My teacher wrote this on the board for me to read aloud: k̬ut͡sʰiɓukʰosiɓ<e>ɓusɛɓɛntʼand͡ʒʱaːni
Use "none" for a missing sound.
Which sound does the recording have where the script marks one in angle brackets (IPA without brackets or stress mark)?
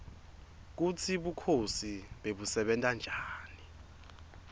e